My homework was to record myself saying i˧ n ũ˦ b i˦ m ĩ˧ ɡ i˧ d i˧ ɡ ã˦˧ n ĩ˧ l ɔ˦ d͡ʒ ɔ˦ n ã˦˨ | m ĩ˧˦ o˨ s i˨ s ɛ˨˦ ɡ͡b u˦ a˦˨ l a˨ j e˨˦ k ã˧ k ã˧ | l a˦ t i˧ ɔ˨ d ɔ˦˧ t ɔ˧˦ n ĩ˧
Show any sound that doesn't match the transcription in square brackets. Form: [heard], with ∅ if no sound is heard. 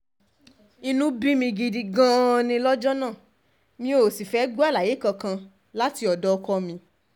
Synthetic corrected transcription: i˧ n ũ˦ b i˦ m ĩ˧ ɡ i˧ d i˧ ɡ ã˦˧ n ĩ˧ l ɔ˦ d͡ʒ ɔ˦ n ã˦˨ | m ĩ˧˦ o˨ s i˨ [f] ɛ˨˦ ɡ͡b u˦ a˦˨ l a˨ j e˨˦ k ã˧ k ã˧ | l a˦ t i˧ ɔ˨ d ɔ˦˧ [k] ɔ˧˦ [m] ĩ˧